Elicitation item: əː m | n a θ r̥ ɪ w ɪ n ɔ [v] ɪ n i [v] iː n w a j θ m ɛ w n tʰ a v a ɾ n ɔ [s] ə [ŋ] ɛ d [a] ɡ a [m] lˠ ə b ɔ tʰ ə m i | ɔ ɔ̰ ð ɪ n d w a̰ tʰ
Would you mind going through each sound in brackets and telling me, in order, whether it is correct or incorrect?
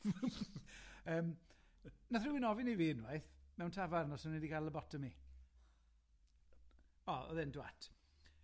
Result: correct, correct, correct, incorrect, incorrect, incorrect

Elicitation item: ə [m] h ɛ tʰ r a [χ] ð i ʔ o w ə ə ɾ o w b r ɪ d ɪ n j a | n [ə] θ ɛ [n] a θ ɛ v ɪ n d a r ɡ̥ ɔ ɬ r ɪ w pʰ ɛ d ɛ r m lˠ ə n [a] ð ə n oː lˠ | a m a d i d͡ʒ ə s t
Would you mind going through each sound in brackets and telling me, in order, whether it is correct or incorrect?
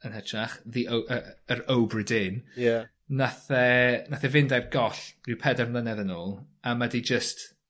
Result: incorrect, correct, incorrect, correct, incorrect

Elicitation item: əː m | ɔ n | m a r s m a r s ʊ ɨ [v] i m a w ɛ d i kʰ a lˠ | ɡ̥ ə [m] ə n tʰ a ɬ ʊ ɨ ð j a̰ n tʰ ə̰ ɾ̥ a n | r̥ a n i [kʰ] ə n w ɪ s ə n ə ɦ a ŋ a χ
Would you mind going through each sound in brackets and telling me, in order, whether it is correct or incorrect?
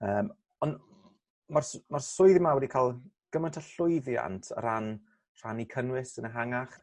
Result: incorrect, correct, correct

